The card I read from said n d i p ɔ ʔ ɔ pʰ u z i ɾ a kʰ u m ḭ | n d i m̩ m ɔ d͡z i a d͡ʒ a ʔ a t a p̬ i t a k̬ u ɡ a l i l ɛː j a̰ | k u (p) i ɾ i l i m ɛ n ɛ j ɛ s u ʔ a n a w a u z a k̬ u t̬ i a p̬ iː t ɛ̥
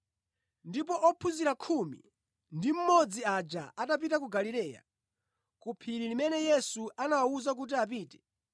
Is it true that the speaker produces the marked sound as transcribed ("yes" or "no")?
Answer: no